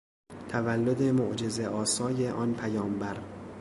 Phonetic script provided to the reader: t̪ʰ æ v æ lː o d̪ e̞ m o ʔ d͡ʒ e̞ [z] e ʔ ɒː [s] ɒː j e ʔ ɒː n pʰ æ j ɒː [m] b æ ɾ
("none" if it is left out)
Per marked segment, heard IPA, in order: z, s, m

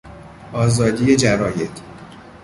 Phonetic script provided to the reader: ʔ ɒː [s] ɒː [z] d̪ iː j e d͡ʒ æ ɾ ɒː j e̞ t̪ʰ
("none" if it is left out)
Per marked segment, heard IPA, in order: z, none

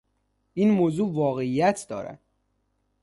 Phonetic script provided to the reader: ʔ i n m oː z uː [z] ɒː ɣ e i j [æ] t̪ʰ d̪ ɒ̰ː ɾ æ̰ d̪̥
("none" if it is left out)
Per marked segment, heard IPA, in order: v, æ

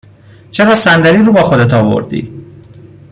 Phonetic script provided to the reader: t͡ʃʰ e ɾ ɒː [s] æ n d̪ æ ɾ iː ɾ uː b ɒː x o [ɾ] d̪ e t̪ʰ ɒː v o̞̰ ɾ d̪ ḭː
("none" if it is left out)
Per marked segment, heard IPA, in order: s, none

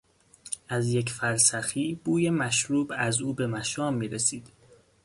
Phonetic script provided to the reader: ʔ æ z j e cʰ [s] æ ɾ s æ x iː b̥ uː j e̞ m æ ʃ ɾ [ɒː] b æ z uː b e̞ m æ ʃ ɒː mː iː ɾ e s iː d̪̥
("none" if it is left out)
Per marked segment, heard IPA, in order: f, uː

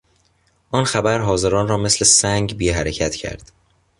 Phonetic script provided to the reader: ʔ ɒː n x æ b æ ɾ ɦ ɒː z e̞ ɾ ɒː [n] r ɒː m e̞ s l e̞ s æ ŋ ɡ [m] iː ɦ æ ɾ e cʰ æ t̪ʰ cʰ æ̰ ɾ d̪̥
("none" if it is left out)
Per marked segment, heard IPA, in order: n, b

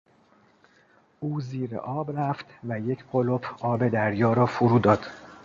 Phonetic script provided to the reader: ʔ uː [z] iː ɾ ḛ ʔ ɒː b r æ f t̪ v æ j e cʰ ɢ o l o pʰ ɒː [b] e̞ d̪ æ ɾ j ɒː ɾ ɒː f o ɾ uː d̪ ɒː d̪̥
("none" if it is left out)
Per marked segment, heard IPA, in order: z, b

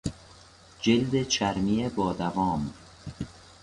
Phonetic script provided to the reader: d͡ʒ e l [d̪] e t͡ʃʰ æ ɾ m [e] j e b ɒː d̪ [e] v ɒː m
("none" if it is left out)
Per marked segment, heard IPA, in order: d̪, i, æ

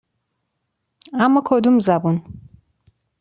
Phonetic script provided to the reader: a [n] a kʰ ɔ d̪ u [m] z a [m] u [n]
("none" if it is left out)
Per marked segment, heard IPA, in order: m, m, b, n

